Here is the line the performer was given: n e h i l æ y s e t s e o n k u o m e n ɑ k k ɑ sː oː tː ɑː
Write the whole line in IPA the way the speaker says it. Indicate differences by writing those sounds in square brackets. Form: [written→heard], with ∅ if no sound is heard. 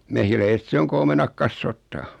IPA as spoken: [n→m] e h i l æ [y→i] s e t s e o [n→ŋ] k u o m e n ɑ k k ɑ sː oː tː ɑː